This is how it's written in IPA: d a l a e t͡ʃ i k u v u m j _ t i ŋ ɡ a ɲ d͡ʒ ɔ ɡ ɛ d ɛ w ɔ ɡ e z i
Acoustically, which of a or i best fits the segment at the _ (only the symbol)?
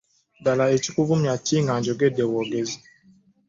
a